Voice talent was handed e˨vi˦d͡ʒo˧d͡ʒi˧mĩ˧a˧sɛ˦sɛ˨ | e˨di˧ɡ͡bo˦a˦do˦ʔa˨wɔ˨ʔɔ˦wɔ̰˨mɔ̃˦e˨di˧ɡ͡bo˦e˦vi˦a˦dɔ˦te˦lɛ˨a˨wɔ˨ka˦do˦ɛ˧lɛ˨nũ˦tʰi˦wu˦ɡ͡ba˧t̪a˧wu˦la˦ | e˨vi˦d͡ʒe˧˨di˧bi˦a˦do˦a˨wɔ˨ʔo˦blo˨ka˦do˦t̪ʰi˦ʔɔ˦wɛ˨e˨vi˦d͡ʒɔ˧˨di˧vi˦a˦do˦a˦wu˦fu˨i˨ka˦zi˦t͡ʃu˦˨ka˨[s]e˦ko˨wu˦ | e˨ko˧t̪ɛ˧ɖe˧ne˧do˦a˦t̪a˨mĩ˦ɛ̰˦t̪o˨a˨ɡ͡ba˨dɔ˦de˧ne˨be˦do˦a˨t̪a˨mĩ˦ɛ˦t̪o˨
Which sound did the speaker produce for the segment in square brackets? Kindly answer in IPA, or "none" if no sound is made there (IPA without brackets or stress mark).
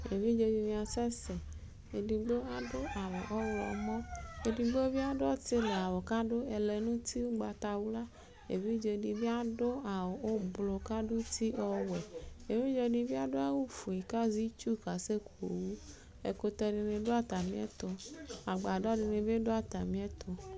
s